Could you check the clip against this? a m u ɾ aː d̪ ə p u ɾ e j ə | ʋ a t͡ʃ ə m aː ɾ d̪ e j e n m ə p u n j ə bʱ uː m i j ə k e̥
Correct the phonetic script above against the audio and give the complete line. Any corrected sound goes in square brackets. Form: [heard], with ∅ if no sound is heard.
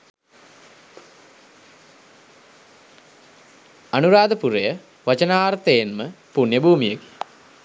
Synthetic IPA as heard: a [n] u ɾ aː d̪ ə p u ɾ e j ə | ʋ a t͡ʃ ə [n] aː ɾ [t̪] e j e n m ə p u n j ə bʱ uː m i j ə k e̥